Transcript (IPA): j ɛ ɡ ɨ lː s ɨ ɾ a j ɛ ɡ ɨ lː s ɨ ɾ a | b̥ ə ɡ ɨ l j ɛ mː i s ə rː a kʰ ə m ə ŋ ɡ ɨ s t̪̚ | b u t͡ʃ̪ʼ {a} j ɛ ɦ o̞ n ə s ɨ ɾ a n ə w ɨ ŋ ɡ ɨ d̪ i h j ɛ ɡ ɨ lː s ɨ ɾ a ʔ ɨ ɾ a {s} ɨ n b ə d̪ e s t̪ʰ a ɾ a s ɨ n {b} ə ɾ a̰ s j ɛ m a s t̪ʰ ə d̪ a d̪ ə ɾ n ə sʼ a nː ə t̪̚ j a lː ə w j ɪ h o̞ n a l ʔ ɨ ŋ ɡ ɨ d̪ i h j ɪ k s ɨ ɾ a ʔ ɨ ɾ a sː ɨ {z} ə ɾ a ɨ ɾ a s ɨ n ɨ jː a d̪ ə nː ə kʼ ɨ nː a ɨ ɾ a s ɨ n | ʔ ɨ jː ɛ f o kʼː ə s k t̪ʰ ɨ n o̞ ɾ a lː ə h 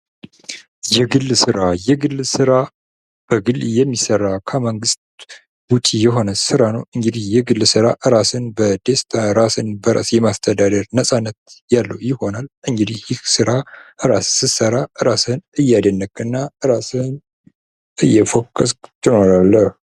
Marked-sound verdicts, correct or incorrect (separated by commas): incorrect, correct, correct, incorrect